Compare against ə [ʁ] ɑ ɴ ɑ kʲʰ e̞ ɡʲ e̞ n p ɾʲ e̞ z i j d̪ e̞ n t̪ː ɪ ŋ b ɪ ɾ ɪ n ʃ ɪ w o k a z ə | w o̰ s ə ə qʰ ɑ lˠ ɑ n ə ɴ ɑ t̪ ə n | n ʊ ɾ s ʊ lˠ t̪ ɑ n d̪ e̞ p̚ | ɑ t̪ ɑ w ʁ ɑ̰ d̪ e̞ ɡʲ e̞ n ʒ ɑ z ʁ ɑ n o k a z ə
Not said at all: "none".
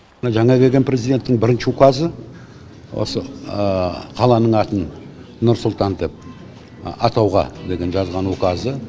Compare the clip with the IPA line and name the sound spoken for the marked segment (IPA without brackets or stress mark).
ʒ